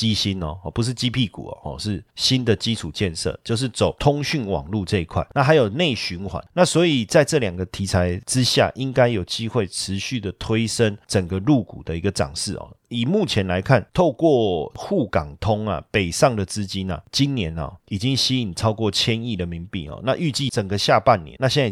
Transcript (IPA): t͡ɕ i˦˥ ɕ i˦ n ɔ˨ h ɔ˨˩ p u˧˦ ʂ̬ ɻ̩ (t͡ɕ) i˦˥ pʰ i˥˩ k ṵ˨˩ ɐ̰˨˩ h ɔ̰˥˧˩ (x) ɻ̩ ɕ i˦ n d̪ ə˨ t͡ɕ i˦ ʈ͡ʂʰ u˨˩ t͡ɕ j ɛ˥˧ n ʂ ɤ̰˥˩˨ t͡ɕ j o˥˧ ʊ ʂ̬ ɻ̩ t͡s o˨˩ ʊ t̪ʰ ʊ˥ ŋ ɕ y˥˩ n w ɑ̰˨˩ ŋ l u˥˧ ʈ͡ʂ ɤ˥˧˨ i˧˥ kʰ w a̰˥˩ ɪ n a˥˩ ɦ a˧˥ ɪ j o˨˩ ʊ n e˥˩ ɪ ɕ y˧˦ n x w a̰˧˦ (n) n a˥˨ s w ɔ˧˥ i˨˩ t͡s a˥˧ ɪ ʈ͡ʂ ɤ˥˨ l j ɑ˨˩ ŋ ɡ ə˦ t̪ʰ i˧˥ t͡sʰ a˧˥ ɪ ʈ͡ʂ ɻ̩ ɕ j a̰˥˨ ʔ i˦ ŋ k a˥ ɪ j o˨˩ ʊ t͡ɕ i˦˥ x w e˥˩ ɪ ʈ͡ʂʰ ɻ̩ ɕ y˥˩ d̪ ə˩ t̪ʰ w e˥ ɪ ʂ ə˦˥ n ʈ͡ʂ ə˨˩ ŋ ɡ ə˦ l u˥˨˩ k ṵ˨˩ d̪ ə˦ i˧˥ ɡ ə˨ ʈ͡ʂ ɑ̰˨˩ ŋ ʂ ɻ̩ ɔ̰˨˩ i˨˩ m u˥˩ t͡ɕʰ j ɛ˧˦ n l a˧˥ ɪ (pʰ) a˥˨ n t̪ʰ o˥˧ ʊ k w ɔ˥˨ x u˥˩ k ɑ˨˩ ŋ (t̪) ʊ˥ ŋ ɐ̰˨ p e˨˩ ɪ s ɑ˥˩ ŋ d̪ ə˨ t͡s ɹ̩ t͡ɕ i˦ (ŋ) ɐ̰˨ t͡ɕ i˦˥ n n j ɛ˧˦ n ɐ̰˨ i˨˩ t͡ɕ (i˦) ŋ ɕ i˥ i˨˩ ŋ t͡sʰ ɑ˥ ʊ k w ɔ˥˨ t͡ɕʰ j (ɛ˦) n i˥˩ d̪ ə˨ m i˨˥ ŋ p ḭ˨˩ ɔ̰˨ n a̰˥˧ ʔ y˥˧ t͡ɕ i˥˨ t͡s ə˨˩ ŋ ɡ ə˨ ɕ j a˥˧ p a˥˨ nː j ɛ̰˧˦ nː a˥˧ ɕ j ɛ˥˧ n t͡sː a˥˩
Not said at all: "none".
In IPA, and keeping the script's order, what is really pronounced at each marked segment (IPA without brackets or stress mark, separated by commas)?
t͡ɕ, ʂ, n, kʰ, t̪ʰ, n, i˦, ɛ˦